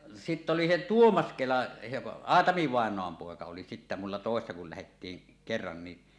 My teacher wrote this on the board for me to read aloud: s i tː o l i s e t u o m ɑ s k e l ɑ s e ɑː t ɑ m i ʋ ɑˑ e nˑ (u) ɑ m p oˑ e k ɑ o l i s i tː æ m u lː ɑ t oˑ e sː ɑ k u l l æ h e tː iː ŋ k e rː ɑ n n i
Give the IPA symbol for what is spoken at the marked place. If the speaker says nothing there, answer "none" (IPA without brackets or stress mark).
o